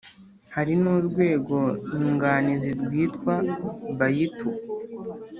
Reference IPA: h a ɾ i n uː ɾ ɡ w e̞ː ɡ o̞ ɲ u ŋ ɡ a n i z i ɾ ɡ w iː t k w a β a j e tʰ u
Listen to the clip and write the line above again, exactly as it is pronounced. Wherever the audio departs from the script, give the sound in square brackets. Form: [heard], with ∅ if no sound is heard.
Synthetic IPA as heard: h a ɾ i n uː ɾ ɡ w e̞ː ɡ o̞ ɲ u ŋ ɡ a n i z i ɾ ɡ w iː t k w a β a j [i] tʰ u